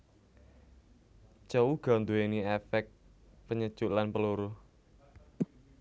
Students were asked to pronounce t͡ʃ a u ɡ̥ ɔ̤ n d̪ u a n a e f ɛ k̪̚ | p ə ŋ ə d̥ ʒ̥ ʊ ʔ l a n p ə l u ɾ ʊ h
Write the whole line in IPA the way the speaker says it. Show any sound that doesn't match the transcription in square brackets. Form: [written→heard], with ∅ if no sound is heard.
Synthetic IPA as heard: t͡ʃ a u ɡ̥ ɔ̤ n d̪ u [a→e] n [a→i] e f ɛ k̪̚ | p ə [ŋ→ɲ] ə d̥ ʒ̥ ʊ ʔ l a n p ə l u ɾ ʊ h